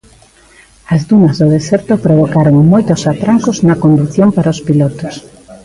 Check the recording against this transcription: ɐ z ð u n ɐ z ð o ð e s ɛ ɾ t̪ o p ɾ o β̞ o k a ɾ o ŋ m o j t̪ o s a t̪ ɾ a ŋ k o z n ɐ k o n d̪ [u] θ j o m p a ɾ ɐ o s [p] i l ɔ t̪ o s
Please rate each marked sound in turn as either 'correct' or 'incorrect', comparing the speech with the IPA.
correct, correct

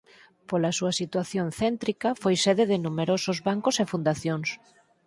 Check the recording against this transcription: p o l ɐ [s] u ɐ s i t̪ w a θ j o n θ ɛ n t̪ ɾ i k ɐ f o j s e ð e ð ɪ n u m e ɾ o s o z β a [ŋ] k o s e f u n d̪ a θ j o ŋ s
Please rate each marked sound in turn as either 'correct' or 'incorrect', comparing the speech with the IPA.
correct, correct

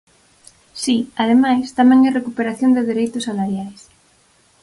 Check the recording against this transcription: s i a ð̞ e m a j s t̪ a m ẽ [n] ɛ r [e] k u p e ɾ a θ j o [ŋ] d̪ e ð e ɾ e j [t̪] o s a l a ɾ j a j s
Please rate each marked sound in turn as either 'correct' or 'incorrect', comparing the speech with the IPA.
incorrect, correct, incorrect, correct

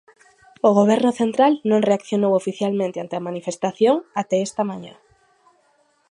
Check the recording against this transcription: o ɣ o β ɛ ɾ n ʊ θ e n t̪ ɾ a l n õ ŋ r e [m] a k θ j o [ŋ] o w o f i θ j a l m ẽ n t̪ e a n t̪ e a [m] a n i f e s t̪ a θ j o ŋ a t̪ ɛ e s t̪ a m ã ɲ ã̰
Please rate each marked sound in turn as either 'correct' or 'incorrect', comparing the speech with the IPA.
incorrect, incorrect, correct

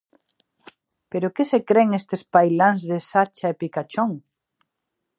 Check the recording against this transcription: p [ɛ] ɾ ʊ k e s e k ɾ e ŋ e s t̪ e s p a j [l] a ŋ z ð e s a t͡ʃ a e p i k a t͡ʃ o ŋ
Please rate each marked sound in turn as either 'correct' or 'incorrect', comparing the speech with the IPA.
incorrect, correct

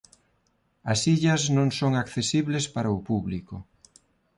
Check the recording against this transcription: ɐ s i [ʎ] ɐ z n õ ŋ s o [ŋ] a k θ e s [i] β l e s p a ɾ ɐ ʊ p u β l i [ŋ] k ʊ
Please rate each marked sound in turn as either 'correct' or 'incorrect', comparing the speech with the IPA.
correct, correct, correct, incorrect

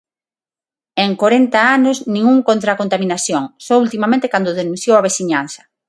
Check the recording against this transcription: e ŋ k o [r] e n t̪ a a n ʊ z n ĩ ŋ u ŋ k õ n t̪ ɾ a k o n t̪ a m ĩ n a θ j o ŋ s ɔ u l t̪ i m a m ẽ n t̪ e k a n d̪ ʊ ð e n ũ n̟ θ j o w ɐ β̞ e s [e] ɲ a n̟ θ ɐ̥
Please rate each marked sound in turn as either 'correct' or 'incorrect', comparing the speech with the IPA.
incorrect, incorrect

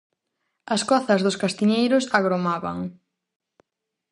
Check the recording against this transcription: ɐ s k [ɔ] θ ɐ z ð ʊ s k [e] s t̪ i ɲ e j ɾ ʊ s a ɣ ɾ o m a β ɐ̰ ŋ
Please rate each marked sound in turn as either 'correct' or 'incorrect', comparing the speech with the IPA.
correct, incorrect

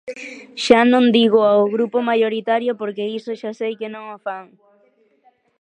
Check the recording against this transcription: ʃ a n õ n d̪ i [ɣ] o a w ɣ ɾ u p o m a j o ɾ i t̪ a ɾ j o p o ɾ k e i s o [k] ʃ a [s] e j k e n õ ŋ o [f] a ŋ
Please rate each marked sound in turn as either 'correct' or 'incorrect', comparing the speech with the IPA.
correct, incorrect, correct, correct

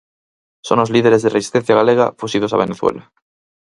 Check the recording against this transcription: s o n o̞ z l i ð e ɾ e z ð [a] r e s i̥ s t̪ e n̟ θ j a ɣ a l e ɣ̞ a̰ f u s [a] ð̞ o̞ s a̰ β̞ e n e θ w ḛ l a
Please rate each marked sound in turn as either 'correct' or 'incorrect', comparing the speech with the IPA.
incorrect, incorrect

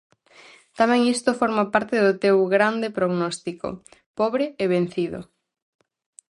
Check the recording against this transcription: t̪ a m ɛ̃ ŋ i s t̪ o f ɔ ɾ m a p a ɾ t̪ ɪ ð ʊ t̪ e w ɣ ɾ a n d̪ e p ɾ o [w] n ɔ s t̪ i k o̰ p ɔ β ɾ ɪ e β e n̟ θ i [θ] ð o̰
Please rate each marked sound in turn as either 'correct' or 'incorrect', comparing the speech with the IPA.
incorrect, incorrect

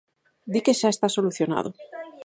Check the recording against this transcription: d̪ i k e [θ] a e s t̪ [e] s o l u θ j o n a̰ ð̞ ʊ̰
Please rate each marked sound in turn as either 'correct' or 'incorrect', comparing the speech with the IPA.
incorrect, incorrect

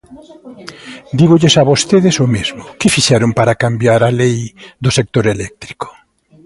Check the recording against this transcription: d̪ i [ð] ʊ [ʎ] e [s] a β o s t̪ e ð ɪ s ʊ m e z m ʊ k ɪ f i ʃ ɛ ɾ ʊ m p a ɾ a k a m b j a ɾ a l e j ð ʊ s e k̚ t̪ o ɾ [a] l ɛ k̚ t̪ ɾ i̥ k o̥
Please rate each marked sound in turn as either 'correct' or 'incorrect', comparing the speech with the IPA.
incorrect, correct, correct, incorrect

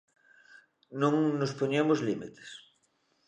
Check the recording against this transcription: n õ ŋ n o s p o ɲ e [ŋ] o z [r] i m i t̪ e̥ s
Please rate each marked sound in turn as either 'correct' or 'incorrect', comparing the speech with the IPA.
incorrect, incorrect

